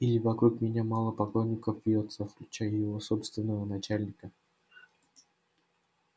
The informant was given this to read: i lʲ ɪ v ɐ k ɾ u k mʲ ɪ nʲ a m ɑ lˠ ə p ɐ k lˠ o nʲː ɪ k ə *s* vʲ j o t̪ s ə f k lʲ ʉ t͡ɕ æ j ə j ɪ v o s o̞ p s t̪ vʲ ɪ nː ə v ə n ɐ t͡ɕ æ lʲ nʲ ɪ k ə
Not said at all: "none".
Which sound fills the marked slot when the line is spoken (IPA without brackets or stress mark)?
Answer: f